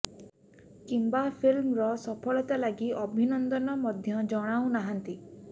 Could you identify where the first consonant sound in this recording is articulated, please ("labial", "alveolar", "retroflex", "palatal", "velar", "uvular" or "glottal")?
velar